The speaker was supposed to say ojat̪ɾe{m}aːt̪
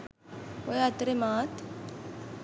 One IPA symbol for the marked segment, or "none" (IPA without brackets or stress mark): m